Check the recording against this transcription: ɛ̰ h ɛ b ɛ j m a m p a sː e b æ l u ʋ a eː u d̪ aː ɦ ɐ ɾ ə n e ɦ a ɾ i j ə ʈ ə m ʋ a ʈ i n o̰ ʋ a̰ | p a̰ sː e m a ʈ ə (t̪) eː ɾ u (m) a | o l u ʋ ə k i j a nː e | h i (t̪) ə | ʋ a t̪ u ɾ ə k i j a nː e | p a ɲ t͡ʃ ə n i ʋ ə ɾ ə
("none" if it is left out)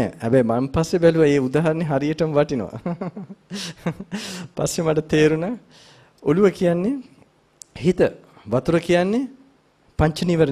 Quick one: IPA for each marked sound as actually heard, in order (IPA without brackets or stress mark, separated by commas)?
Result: t̪, n, t̪